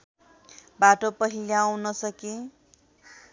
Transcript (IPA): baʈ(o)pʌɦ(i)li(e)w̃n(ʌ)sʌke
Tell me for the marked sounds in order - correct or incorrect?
correct, correct, incorrect: a, correct

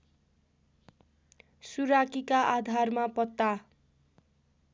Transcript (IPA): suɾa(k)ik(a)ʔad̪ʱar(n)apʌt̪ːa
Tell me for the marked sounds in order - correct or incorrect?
correct, correct, incorrect: m

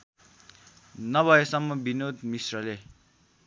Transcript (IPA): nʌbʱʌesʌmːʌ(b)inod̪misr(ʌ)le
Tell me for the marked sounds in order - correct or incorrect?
correct, correct

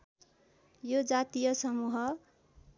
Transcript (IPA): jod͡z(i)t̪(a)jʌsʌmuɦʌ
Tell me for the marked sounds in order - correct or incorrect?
incorrect: a, incorrect: i

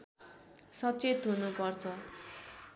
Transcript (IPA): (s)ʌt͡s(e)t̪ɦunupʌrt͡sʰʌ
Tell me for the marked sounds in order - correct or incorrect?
correct, correct

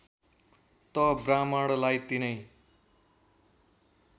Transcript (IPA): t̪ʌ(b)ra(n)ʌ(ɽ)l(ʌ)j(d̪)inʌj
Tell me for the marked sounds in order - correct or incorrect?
correct, incorrect: m, correct, incorrect: a, incorrect: t̪

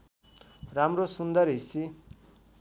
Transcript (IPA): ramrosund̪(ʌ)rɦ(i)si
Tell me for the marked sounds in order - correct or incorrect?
correct, correct

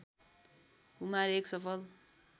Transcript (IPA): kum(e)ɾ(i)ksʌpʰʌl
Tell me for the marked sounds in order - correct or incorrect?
incorrect: a, incorrect: e

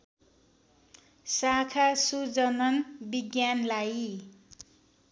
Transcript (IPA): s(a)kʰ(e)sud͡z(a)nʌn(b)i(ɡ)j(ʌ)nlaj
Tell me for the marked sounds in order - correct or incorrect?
correct, incorrect: a, incorrect: ʌ, correct, correct, incorrect: a

